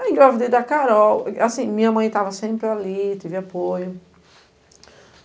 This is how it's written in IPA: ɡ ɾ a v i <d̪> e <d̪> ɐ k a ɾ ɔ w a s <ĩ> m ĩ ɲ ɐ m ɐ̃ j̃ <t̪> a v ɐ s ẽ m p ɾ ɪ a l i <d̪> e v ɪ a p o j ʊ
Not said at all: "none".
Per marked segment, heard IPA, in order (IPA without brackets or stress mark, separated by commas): d̪, d̪, ĩ, t̪, t̪